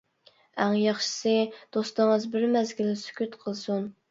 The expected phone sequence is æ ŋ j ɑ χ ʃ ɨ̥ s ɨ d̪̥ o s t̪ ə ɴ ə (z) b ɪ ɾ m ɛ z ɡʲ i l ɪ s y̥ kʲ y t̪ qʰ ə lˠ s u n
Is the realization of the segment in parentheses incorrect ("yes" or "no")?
no